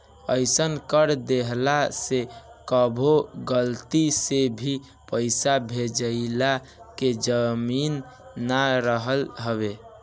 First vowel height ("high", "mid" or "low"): mid